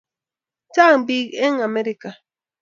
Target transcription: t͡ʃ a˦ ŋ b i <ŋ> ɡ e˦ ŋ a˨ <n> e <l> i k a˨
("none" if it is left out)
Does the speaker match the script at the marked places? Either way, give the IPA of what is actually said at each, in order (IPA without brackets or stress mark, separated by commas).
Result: none, m, ɾ